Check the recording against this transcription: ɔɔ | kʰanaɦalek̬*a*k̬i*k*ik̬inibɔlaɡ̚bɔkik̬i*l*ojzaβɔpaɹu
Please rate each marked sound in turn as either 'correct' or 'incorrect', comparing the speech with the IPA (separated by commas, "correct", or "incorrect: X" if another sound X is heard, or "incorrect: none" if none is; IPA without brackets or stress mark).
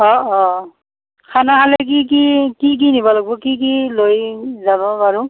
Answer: incorrect: i, correct, correct